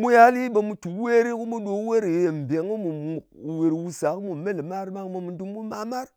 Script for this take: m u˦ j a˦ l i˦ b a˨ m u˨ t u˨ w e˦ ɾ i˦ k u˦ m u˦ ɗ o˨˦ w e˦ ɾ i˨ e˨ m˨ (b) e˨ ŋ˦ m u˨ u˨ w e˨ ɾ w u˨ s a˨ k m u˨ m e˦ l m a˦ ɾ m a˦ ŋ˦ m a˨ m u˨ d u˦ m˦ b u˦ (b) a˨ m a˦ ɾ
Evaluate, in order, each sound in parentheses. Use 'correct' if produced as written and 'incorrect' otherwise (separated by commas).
correct, incorrect